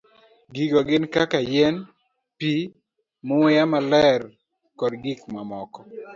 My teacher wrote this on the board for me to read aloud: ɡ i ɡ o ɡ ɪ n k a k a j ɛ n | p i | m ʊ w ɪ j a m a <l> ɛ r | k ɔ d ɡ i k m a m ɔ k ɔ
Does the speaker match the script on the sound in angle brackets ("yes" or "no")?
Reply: yes